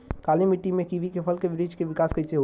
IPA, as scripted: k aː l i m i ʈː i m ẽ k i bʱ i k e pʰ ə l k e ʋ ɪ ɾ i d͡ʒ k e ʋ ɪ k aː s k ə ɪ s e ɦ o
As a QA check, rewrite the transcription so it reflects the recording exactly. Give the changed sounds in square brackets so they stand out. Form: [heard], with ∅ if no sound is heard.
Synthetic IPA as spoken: k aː l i m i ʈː i m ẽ k i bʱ i k e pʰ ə l k e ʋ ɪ ɾ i d͡ʒ k e ʋ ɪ k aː s k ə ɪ s e ɦ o

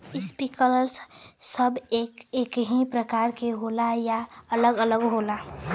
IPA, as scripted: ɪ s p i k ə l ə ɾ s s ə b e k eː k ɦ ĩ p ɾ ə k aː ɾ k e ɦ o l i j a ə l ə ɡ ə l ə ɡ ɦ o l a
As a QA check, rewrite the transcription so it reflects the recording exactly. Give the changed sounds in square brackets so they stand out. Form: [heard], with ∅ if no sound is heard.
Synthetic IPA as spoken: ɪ s p i k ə l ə ɾ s s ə b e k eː k ɦ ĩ p ɾ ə k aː ɾ k e ɦ o l [a] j a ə l ə ɡ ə l ə ɡ ɦ o l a

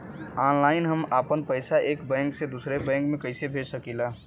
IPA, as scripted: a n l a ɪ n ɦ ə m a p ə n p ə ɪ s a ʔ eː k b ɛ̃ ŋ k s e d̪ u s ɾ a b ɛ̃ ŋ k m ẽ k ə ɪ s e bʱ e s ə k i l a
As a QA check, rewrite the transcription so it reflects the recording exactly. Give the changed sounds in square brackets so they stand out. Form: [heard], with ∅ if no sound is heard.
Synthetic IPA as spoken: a n l a ɪ n ɦ ə m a p ə n p ə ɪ s a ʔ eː k b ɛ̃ ŋ k s e d̪ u s ɾ [e] b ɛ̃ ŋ k m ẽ k ə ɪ s e bʱ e s ə k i l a

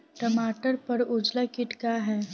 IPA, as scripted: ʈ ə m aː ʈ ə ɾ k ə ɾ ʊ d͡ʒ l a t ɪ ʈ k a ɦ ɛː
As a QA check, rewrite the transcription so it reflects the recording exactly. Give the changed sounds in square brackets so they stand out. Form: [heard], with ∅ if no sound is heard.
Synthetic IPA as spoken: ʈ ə m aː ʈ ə ɾ [p] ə ɾ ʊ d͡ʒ l a [k] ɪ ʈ k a ɦ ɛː

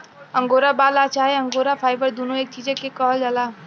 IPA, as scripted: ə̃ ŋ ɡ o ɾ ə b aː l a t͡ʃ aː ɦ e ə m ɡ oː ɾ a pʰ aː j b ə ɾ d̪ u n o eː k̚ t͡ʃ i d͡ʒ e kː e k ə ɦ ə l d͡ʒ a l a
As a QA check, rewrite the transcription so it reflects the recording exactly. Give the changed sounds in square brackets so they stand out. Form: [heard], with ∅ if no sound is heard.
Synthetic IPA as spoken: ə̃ ŋ ɡ o ɾ [a] b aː l a t͡ʃ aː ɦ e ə [ŋ] ɡ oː ɾ a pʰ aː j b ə ɾ d̪ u n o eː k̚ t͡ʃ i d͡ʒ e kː e k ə ɦ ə l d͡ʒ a l a

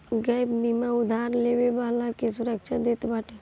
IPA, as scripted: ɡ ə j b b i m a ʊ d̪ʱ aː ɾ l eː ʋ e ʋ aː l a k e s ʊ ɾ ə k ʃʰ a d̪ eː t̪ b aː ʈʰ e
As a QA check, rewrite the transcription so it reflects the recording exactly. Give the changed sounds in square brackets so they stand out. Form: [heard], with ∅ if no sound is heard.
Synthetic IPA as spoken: ɡ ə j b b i m a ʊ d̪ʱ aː ɾ l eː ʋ e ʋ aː l a k e s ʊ ɾ ə k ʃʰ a d̪ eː t̪ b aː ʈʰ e

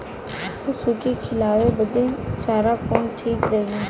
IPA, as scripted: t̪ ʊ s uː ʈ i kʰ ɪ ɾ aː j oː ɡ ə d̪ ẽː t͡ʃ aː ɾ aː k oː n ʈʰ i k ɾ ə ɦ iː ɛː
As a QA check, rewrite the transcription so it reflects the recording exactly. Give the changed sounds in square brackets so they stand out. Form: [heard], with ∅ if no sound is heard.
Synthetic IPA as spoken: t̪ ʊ s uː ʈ i kʰ ɪ [l] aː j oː [b] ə d̪ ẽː t͡ʃ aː ɾ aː k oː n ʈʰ [iː] k ɾ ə ɦ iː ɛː

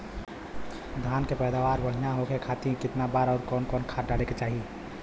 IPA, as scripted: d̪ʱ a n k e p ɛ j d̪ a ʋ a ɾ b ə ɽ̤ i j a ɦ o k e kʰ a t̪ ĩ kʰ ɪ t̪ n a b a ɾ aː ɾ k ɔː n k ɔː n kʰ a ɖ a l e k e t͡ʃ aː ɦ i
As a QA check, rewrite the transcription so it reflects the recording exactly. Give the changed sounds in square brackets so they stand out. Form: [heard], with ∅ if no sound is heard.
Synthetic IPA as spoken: d̪ʱ a n k e p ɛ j d̪ a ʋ a ɾ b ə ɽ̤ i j a ɦ o k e kʰ a t̪ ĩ [k] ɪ t̪ n a b a ɾ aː ɾ k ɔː n k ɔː n kʰ a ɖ a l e k e t͡ʃ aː ɦ i

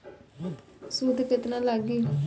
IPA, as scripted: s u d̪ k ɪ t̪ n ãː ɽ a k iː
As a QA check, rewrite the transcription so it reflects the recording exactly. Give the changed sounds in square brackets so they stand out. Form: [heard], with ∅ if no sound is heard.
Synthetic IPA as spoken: s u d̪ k ɪ t̪ n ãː [l] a [ɡ] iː

